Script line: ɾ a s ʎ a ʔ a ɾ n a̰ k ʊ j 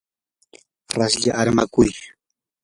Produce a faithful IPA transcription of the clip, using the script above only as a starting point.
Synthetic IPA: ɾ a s ʎ a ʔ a ɾ m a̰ k ʊ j